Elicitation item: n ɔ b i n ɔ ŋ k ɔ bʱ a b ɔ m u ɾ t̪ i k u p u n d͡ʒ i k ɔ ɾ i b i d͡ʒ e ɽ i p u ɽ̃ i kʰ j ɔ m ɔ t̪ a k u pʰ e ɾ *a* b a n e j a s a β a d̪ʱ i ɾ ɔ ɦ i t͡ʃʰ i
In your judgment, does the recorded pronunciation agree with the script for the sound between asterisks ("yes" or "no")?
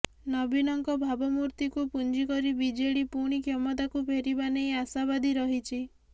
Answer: no